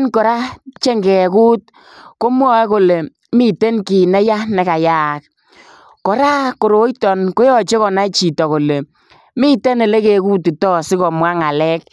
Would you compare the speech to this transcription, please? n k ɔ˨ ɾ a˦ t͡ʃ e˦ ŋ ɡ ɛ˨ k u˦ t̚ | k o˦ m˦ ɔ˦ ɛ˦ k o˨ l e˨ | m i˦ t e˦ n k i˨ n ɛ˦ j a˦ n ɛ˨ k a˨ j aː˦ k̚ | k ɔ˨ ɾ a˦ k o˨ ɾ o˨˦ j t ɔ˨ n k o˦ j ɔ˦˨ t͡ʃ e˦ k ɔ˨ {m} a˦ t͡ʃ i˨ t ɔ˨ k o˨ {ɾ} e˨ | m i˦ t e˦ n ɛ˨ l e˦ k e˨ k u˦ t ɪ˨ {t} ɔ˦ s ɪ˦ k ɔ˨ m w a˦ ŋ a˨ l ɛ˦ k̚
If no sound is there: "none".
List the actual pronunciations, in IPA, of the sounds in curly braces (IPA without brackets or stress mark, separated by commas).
n, l, t